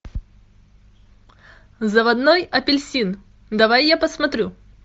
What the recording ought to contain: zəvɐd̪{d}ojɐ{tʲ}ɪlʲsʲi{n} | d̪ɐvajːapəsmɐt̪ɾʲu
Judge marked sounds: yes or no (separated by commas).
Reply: no, no, yes